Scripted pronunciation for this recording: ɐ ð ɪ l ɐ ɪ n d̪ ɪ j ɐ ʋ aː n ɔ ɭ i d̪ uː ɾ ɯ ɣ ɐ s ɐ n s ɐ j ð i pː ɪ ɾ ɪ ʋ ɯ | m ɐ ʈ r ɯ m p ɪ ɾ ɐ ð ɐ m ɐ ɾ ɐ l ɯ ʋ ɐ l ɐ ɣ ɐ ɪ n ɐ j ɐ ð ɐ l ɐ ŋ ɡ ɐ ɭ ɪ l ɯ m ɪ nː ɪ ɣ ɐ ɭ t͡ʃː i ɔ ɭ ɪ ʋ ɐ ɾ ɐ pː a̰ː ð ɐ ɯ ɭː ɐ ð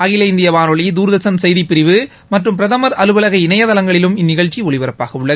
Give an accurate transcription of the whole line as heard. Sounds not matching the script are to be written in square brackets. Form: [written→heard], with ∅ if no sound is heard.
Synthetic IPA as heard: ɐ [ð→ɣ] ɪ l ɐ ɪ n d̪ ɪ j ɐ ʋ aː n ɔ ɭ i d̪ uː ɾ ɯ [ɣ→ð] ɐ s ɐ n s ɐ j ð i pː ɪ ɾ ɪ ʋ ɯ | m ɐ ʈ r ɯ m p ɪ ɾ ɐ ð ɐ m ɐ ɾ ɐ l ɯ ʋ ɐ l ɐ ɣ ɐ ɪ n ɐ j ɐ ð ɐ l ɐ ŋ ɡ ɐ ɭ ɪ l ɯ m ɪ nː ɪ ɣ ɐ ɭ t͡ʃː i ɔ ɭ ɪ ʋ ɐ ɾ ɐ pː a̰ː [ð→ɣ] ɐ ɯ ɭː ɐ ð